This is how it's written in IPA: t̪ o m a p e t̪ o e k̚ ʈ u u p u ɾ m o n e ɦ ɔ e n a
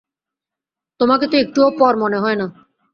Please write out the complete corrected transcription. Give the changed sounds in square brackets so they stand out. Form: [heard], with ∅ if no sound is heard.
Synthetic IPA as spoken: t̪ o m a [k] e t̪ o e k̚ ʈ u [o] p [ɔ] ɾ m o n e ɦ ɔ e n a